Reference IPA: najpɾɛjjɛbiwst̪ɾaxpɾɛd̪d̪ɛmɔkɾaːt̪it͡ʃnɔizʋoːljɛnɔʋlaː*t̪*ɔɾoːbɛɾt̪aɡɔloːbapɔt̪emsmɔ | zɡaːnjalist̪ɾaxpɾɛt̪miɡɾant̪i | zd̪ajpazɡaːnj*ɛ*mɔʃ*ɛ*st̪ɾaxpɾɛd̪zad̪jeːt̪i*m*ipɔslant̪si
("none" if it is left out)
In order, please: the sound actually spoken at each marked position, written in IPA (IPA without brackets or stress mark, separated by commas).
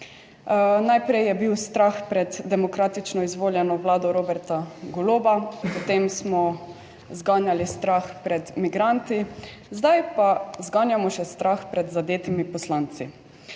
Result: d̪, a, ɛ, m